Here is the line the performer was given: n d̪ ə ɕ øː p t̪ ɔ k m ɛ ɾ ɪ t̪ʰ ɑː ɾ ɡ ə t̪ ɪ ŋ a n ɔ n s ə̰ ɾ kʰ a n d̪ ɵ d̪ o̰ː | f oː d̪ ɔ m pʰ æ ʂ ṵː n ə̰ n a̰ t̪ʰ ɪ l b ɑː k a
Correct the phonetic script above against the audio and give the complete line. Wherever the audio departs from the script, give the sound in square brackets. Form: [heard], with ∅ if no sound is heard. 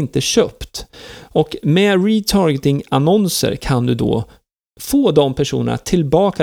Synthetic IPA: n [t̪] ə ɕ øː p t̪ ɔ k m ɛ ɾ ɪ t̪ʰ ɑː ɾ ɡ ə t̪ ɪ ŋ a n ɔ n s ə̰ ɾ kʰ a n d̪ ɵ d̪ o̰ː | f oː d̪ ɔ m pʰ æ ʂ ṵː n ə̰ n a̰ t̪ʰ ɪ l b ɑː k a